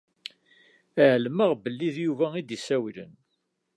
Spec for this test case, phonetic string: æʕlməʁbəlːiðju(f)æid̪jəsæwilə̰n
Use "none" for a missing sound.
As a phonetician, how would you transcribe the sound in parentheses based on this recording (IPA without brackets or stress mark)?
v